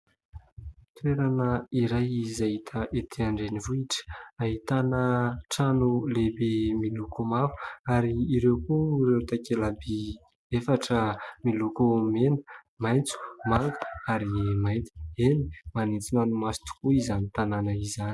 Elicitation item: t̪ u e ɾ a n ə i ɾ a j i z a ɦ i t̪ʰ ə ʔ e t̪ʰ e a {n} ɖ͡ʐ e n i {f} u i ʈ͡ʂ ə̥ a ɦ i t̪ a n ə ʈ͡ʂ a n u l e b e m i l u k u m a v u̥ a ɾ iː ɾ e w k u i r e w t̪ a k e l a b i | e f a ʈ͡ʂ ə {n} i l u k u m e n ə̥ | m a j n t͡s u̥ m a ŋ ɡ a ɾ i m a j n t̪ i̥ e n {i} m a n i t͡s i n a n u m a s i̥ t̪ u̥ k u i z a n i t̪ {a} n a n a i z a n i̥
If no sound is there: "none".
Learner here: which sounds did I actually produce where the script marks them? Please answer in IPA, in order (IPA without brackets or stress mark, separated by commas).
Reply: ɳ, v, m, i, a